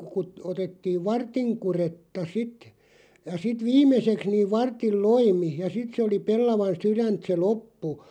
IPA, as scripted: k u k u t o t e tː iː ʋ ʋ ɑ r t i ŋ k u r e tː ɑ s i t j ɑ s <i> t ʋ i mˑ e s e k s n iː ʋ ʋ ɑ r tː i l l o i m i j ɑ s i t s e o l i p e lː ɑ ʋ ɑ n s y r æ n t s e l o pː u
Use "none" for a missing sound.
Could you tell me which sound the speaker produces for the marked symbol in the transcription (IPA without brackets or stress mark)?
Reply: i